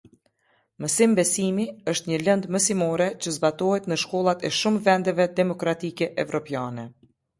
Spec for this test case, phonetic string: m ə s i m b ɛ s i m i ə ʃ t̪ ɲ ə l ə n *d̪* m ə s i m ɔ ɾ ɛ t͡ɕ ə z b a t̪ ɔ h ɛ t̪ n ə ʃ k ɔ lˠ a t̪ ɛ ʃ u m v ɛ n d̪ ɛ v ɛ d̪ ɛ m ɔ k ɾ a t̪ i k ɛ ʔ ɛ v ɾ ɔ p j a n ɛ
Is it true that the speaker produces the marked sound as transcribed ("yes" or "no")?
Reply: yes